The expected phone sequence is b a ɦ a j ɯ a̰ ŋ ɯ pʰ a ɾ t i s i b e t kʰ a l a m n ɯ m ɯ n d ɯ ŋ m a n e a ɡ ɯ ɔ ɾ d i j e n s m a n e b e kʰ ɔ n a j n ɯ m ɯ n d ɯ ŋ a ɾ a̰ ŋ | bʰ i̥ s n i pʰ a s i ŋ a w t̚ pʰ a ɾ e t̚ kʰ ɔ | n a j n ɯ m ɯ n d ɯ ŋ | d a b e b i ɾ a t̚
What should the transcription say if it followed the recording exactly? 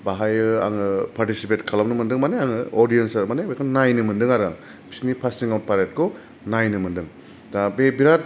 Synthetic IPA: b a ɦ a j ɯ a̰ ŋ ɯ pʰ a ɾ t i s i p e t kʰ a l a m n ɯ m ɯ n d ɯ ŋ m a n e a ŋ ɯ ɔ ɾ d i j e n s m a n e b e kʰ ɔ n a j n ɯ m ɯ n d ɯ ŋ a ɾ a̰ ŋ | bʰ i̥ s n i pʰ a s i ŋ a w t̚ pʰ a ɾ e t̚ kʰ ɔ | n a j n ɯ m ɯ n d ɯ ŋ | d a b e b i ɾ a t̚